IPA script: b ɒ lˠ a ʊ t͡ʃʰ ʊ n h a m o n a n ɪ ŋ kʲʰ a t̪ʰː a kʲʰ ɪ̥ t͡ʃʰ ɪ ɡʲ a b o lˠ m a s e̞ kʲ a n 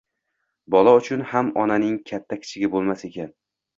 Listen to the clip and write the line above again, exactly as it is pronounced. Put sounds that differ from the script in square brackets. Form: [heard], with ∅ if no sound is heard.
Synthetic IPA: b ɒ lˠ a ʊ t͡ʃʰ ʊ n h a m [ɒ] n a n ɪ ŋ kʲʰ a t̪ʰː a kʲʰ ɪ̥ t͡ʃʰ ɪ ɡʲ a b o lˠ m a s e̞ kʲ a n